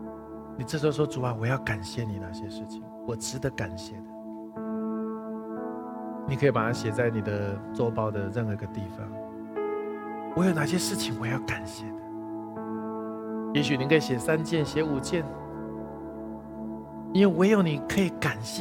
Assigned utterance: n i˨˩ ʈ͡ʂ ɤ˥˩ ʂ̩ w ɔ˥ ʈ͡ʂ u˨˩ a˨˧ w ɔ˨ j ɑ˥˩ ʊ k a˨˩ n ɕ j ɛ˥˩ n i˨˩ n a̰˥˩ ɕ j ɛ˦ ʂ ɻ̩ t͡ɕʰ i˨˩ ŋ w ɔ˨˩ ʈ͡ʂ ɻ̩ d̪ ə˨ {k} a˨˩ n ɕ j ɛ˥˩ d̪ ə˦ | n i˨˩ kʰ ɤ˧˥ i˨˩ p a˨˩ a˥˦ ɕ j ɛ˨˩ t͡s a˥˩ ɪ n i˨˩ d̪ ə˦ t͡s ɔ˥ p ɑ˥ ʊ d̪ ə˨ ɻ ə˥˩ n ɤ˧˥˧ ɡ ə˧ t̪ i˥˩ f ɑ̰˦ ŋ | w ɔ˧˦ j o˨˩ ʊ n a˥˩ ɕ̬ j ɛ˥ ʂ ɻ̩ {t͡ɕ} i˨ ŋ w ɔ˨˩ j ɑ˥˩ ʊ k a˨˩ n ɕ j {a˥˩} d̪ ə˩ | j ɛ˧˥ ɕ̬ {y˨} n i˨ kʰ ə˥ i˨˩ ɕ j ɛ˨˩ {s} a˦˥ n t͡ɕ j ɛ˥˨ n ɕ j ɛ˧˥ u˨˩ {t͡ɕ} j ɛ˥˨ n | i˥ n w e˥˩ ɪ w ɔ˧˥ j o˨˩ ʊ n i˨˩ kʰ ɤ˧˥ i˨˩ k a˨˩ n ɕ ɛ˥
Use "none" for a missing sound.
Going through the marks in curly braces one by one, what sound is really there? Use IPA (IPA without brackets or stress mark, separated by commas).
k, t͡ɕʰ, ɛ˥˩, y˨, s, t͡ɕ